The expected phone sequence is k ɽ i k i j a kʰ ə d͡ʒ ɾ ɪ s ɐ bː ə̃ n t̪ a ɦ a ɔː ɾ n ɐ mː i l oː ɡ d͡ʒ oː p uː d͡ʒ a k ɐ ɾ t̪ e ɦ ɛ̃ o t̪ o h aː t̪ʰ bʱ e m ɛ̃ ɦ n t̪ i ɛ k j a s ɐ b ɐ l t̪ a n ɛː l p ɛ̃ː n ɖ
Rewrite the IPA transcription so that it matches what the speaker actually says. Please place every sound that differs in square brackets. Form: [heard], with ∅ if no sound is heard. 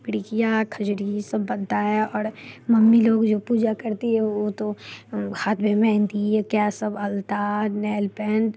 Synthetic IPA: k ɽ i k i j a kʰ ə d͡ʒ ɾ [i] s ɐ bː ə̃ n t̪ a ɦ [ɛ] ɔː ɾ [m] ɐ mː i l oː ɡ d͡ʒ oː p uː d͡ʒ a k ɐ ɾ t̪ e ɦ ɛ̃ o t̪ o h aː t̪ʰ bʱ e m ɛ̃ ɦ n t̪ i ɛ k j a s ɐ b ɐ l t̪ a n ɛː l p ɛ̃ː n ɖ